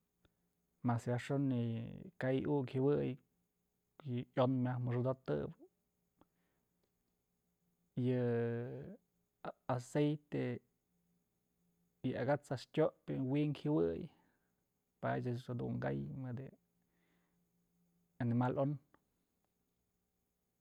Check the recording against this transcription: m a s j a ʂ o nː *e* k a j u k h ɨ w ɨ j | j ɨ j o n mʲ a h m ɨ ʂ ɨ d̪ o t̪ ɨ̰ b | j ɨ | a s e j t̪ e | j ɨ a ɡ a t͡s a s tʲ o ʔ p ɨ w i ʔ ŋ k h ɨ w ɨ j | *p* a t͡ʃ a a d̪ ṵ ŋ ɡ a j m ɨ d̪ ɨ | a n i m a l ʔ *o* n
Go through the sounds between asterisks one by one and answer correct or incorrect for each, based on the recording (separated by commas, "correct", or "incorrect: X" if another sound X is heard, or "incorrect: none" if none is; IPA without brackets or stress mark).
incorrect: i, correct, correct